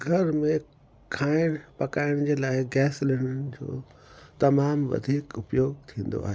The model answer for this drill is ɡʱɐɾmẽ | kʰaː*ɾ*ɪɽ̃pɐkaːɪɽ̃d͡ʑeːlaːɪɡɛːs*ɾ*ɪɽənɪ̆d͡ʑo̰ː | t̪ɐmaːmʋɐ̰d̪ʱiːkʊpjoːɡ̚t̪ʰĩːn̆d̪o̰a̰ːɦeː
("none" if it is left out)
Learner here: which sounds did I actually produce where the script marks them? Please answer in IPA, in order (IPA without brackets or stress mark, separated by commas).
none, l